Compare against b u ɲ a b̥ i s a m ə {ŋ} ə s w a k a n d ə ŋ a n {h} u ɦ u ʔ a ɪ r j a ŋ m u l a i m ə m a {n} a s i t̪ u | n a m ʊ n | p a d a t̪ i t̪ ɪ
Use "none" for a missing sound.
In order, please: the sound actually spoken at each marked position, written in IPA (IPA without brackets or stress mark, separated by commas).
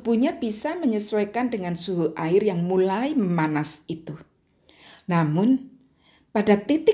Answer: ɲ, s, n